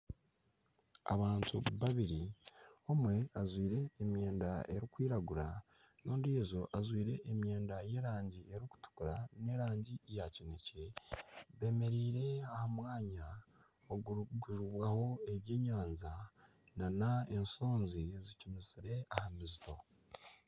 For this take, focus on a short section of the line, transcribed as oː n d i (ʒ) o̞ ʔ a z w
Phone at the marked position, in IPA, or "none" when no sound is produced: z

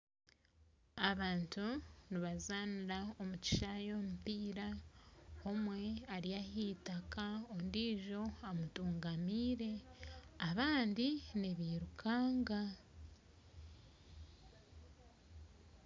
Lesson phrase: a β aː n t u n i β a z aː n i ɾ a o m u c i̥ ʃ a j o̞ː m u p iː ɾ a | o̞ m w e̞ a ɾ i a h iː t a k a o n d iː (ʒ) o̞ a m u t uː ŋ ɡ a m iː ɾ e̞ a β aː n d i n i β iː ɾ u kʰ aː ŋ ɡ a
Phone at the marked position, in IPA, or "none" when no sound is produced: ʒ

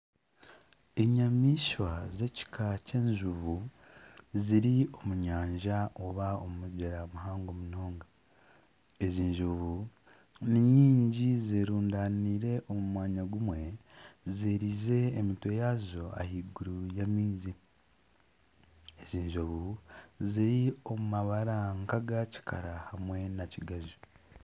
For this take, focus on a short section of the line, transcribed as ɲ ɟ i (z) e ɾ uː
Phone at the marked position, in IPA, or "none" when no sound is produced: z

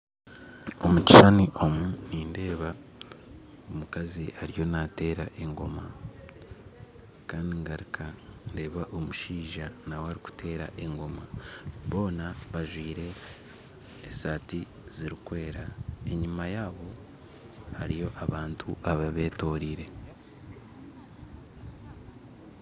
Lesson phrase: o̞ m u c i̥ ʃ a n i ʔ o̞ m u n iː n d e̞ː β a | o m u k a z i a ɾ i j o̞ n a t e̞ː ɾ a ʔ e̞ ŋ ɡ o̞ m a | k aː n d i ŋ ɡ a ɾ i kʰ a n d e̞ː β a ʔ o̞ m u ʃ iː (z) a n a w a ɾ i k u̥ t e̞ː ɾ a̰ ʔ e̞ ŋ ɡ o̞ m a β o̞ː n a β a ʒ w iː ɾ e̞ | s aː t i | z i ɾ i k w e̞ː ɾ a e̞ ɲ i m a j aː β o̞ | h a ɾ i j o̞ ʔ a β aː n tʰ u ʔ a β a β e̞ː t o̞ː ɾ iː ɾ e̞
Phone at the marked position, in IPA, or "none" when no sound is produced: ʒ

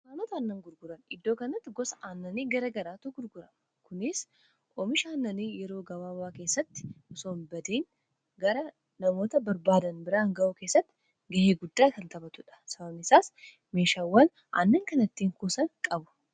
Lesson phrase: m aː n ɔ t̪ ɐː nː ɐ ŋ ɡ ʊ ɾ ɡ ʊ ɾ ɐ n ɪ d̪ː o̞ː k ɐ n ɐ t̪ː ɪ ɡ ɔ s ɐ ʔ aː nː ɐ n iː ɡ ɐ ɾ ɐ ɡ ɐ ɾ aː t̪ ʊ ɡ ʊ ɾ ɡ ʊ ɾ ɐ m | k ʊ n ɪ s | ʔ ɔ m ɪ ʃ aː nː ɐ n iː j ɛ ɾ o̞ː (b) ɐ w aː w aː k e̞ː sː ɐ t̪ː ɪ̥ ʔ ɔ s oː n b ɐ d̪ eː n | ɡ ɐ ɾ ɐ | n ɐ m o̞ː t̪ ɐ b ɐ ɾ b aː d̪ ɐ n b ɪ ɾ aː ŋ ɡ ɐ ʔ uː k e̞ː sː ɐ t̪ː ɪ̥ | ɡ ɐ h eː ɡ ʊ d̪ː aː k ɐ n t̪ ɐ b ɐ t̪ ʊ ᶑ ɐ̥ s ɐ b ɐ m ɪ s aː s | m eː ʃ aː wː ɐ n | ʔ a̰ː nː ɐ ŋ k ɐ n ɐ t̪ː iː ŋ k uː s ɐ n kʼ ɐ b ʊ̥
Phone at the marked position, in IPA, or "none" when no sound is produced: ɡ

